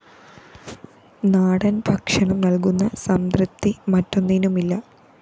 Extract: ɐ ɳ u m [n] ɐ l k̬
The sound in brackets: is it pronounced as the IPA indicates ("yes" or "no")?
yes